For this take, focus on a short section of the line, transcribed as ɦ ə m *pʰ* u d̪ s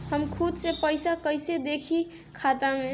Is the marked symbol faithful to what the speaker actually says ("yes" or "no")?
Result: no